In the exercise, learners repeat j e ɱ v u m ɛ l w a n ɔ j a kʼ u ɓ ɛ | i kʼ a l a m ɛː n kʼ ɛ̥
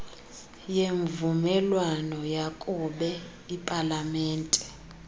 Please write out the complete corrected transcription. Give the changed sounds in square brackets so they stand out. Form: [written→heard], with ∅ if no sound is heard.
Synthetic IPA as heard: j e ɱ v u m ɛ l w a n ɔ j a kʼ u ɓ ɛ | i [kʼ→pʼ] a l a m ɛː n [kʼ→tʼ] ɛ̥